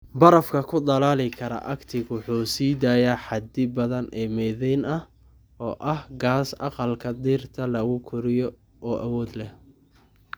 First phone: b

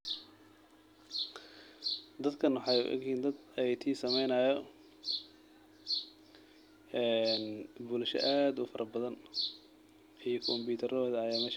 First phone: d̪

